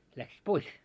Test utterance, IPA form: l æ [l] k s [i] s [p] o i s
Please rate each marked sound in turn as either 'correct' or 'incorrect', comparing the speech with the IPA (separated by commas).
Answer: incorrect, correct, correct